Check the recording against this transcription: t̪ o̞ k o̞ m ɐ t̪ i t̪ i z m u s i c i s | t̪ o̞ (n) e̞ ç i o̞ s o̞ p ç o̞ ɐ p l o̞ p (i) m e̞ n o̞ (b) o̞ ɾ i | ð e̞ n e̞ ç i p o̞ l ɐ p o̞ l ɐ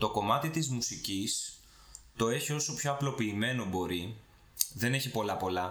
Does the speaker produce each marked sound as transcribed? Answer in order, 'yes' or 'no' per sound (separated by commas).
no, no, yes